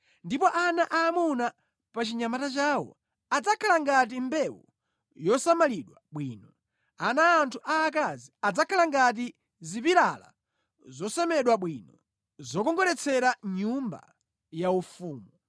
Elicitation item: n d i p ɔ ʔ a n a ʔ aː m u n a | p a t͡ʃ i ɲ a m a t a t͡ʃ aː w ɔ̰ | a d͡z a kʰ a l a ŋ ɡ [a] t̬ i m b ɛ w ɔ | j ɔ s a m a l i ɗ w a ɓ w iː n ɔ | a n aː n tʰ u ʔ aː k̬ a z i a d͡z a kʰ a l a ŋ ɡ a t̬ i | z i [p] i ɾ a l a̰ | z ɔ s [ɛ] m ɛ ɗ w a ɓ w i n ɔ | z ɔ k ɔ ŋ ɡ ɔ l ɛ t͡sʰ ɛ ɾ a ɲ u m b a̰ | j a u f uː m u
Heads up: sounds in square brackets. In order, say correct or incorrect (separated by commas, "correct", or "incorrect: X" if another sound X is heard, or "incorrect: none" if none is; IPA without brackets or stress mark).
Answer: correct, correct, correct